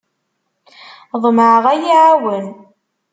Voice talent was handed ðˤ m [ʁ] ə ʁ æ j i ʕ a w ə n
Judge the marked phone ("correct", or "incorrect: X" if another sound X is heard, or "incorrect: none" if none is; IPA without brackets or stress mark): incorrect: ʕ